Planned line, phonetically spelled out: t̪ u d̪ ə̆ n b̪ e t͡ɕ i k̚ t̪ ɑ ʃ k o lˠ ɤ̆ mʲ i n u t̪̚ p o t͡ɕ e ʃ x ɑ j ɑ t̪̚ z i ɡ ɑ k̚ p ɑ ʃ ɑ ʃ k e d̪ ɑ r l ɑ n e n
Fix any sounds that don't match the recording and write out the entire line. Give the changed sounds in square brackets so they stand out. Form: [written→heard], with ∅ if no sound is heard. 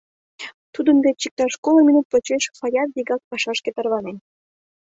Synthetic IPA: t̪ u d̪ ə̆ n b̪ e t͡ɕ i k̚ t̪ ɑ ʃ k o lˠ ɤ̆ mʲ i n u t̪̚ p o t͡ɕ e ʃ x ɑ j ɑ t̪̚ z i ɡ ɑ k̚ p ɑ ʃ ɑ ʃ k e [d̪→t̪] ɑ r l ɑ n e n